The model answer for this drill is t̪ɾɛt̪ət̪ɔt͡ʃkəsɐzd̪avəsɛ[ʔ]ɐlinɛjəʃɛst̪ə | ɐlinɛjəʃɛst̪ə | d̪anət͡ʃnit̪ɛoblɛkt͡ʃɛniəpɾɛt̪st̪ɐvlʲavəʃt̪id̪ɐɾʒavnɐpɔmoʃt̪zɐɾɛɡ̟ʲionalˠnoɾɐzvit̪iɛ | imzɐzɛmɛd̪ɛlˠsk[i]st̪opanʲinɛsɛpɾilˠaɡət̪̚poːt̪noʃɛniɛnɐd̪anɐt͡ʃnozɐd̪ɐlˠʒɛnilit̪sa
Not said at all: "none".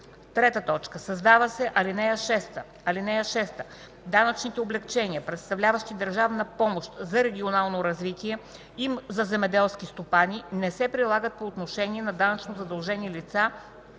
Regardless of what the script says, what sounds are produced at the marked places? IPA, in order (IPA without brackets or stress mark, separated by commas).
ʔ, i